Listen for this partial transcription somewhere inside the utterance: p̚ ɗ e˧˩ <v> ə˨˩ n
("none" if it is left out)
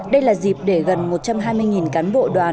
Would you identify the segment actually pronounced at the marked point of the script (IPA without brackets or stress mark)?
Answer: ɣ